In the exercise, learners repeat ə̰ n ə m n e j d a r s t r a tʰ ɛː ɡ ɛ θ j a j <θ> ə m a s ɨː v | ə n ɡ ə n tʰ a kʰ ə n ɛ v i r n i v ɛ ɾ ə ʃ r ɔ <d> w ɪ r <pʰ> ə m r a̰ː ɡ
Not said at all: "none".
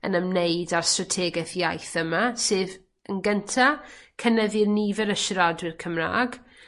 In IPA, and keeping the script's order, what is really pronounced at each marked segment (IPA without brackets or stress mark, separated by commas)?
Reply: θ, d, kʰ